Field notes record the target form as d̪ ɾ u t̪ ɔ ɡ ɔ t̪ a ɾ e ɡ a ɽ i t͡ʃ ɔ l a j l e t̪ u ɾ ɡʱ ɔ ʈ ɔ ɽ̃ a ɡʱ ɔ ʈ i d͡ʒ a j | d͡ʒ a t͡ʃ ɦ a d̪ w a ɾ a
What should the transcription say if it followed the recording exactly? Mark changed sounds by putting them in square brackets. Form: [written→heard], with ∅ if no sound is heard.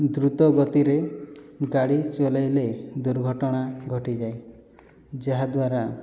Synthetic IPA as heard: d̪ ɾ u t̪ ɔ ɡ ɔ t̪ [a→i] ɾ e ɡ a ɽ i t͡ʃ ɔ l a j l e [t̪→d̪] u ɾ ɡʱ ɔ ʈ ɔ ɽ̃ a ɡʱ ɔ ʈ i d͡ʒ a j | d͡ʒ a [t͡ʃ→∅] ɦ a d̪ w a ɾ a